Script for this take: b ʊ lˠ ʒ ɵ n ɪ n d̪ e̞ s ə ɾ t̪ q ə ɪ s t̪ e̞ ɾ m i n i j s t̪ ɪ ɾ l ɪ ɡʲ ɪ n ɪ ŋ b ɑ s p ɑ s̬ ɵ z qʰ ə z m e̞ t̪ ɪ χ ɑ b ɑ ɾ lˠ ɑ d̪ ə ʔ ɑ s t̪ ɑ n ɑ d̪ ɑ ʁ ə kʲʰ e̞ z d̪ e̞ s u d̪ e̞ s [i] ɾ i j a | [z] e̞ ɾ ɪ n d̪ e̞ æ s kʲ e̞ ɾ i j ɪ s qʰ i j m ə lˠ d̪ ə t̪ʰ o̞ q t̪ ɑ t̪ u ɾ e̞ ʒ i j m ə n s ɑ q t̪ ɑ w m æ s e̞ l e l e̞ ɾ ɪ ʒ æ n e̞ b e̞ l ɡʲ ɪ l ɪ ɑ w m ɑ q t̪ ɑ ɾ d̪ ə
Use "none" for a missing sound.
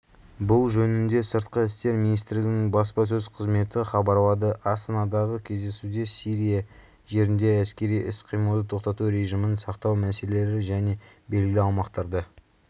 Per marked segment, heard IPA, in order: i, ʒ

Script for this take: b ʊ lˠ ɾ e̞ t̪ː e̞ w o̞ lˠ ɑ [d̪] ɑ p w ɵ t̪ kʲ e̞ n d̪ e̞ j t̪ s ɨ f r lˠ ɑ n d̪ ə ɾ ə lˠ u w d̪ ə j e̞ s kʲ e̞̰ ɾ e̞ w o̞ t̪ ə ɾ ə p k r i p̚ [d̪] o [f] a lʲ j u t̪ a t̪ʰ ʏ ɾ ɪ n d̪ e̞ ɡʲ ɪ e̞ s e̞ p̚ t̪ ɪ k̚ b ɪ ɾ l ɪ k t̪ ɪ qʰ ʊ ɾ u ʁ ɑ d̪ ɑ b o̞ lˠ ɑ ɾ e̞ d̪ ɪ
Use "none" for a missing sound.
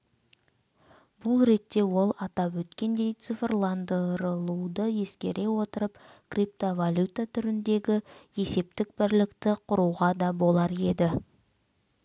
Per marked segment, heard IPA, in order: t̪, t̪, v

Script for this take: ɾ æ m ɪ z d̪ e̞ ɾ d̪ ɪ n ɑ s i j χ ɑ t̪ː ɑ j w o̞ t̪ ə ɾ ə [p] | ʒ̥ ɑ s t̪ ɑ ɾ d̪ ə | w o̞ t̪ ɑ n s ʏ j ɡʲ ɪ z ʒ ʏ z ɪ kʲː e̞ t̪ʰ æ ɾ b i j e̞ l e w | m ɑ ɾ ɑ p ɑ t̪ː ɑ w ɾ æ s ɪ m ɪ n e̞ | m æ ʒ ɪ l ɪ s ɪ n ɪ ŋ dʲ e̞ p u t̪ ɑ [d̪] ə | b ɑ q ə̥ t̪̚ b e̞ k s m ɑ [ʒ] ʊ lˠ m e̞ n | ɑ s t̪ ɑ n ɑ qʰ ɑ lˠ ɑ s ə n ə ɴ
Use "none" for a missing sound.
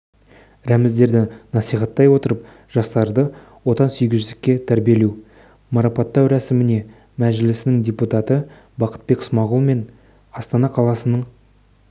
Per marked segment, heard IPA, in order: p, t̪, ʁ

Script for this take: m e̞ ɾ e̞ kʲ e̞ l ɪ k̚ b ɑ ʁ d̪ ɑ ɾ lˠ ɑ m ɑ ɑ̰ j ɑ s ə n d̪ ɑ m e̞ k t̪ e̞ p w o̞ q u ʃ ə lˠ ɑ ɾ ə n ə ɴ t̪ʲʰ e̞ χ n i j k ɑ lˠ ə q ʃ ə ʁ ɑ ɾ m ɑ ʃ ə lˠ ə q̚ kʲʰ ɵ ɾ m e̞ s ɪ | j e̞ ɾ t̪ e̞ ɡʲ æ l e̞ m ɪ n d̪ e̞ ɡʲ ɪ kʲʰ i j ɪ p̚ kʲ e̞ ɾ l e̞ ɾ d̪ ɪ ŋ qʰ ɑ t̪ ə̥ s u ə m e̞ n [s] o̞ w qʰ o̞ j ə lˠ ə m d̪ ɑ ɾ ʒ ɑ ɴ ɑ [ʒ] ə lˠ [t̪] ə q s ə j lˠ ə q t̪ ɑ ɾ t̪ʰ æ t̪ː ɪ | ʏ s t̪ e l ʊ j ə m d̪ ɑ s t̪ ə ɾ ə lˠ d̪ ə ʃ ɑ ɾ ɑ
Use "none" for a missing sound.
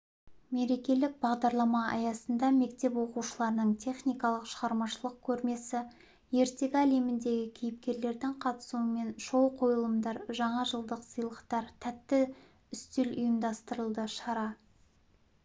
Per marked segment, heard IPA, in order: ʃ, ʒ, d̪

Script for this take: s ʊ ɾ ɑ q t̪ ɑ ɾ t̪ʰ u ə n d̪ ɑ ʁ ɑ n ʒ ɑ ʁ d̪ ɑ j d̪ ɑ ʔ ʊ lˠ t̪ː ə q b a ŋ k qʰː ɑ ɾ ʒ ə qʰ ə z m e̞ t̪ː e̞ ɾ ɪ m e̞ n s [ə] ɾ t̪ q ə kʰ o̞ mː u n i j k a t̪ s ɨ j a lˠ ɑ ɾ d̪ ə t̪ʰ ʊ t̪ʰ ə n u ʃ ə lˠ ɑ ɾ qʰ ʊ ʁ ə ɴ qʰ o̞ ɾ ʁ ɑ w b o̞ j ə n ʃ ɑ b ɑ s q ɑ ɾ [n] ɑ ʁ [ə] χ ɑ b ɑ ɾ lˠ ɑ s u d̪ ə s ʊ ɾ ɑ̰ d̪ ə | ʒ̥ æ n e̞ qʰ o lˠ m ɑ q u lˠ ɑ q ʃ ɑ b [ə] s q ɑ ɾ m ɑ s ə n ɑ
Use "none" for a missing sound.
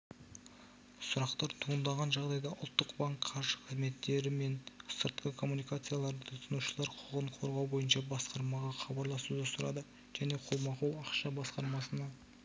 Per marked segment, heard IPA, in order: ə, m, ɑ, ɑ

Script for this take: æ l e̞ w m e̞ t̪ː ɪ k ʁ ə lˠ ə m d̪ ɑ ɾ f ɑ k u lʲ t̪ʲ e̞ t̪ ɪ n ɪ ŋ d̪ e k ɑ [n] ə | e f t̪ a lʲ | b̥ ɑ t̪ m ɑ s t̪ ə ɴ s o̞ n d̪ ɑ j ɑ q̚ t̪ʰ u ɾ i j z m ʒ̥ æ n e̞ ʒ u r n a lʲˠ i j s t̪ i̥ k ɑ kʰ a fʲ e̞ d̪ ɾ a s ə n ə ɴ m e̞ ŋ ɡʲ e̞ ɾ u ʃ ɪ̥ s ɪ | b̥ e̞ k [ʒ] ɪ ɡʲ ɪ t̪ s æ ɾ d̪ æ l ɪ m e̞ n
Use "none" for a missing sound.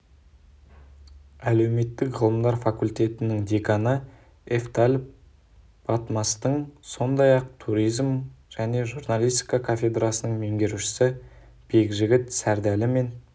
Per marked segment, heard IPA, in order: n, ʒ

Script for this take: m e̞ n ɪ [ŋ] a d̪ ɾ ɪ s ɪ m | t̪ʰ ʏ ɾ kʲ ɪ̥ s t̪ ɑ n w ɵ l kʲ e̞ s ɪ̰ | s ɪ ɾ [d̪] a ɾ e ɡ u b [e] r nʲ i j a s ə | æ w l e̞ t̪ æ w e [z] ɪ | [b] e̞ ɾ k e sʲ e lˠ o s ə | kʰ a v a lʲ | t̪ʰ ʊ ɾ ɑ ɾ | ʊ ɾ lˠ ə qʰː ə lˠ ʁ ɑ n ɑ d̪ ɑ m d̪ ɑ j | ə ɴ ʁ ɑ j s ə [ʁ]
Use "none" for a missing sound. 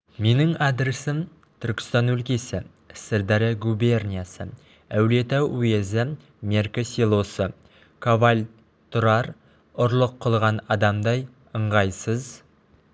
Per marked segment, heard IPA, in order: ŋ, d̪, e, z, m, z

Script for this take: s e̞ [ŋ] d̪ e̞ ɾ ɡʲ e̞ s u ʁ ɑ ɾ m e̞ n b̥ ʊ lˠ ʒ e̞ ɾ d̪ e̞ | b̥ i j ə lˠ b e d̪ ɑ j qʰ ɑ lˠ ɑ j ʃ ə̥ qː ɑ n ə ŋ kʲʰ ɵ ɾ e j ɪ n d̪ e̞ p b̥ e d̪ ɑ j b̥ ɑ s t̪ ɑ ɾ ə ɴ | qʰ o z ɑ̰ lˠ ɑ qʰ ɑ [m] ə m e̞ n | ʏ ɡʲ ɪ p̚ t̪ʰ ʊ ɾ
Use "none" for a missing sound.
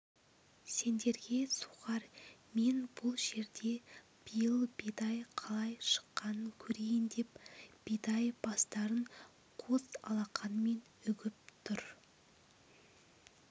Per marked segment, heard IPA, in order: n, n

